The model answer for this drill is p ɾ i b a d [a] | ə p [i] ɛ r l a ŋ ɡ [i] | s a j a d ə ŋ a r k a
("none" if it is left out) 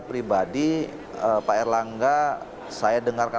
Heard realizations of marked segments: i, a, a

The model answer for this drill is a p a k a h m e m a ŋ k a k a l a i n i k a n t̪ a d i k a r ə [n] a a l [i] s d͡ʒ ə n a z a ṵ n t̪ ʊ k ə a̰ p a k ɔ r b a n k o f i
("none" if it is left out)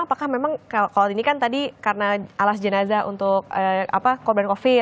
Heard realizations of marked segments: n, a

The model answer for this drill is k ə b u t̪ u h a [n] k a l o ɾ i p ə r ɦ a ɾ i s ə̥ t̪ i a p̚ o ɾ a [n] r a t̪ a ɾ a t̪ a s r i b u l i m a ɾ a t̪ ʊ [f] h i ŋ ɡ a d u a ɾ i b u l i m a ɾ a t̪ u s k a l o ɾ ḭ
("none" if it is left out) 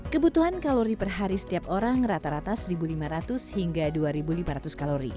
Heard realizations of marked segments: n, ŋ, s

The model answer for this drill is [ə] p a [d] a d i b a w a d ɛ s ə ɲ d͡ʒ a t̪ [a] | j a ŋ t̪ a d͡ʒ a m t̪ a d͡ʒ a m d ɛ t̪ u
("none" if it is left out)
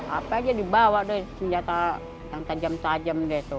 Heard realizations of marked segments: a, d͡ʒ, a

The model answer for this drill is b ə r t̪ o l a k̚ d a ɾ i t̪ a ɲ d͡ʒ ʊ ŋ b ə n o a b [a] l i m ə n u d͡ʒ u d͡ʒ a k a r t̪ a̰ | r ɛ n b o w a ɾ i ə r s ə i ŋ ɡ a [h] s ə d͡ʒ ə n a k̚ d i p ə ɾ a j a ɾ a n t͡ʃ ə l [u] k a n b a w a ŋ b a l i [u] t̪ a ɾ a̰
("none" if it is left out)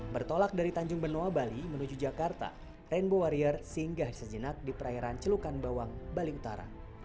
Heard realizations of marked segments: a, h, u, u

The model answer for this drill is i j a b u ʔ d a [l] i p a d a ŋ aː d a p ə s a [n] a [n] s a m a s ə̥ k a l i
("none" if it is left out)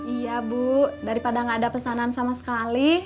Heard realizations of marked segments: ɾ, n, n

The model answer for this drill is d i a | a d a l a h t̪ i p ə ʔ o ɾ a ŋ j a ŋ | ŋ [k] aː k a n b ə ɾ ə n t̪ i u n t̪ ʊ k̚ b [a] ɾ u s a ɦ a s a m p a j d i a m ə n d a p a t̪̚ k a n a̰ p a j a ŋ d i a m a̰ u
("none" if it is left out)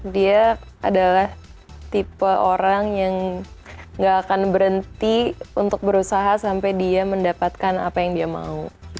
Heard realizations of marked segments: ɡ, ə

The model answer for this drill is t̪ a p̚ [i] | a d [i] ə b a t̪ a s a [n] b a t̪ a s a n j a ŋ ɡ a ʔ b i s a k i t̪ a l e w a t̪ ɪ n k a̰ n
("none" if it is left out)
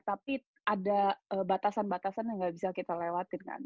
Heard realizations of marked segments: i, a, n

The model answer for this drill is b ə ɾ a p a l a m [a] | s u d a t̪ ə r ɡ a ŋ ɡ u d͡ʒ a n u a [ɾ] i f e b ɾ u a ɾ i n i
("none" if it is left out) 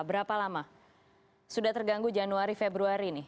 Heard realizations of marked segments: a, ɾ

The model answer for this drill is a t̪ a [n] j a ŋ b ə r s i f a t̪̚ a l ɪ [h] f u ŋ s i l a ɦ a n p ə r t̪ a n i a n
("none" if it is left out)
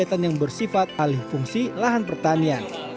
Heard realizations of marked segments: n, h

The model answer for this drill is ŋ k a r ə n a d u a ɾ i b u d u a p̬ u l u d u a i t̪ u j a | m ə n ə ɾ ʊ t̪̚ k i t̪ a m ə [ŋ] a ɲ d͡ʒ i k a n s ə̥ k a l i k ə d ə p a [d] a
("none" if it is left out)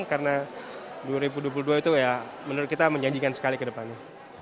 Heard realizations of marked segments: ɲ, n

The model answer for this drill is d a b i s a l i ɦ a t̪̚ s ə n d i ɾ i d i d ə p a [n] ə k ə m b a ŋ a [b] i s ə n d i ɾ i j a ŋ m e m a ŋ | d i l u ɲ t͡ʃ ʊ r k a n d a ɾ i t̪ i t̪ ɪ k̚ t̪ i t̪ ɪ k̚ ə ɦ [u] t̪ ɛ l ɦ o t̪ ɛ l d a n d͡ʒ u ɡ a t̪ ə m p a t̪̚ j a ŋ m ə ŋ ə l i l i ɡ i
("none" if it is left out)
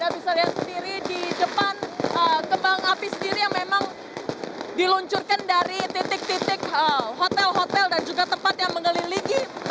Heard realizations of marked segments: n, p, o

